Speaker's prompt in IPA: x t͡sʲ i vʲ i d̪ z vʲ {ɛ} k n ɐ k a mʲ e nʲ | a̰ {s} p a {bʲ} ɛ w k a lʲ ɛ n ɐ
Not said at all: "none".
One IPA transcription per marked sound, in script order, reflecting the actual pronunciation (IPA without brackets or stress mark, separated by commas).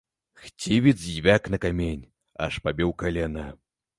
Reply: a, ʂ, bʲ